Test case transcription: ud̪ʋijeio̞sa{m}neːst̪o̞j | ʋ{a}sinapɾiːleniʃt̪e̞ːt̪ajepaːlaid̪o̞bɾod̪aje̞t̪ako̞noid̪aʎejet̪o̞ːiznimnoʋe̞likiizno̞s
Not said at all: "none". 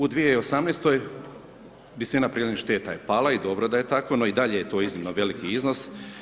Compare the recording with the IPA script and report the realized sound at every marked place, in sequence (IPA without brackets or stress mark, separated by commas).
m, i